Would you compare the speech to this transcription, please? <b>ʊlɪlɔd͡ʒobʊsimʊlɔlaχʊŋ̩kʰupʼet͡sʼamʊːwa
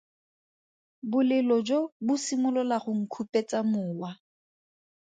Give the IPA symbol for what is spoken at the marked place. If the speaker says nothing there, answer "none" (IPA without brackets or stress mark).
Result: b